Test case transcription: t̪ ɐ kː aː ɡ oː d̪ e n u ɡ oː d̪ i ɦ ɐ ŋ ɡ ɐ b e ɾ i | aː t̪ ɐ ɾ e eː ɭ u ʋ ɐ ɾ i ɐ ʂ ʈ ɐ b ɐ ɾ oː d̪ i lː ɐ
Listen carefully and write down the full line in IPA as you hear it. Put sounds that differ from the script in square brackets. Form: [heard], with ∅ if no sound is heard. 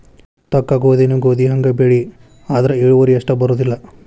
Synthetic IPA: t̪ ɐ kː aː ɡ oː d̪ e n u ɡ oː d̪ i ɦ ɐ ŋ ɡ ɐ b e [ɭ] i | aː [d̪] ɐ ɾ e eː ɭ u ʋ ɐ ɾ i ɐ ʂ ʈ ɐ b ɐ ɾ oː d̪ i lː ɐ